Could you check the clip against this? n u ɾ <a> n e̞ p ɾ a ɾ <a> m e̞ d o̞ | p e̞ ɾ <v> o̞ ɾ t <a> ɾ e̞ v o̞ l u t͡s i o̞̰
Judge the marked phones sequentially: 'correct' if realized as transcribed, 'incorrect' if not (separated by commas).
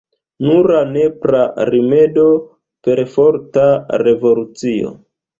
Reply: correct, incorrect, incorrect, correct